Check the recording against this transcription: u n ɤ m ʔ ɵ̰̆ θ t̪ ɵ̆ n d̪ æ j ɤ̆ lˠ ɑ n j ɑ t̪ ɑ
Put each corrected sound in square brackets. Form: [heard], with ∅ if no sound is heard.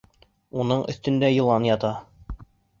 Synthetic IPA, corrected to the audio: u n ɤ [ɴ] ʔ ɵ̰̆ θ t̪ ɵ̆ n d̪ æ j ɤ̆ lˠ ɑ n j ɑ t̪ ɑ